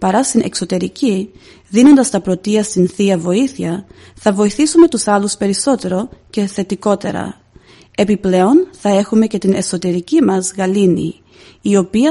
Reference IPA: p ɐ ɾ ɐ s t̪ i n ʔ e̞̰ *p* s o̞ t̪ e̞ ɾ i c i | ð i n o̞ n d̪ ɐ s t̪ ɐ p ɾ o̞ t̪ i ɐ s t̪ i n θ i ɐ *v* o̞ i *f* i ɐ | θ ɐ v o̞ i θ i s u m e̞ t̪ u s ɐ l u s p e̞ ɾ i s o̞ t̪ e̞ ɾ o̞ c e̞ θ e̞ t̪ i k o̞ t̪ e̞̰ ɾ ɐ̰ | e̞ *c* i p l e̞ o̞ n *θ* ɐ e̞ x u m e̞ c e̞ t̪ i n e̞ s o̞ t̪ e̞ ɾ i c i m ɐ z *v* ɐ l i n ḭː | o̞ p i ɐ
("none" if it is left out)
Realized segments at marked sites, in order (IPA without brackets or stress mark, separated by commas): k, v, θ, p, θ, ɣ